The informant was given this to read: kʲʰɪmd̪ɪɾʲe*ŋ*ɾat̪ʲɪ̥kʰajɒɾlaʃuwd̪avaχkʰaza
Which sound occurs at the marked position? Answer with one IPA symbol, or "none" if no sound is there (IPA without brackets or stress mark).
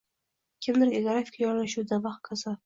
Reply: ɡ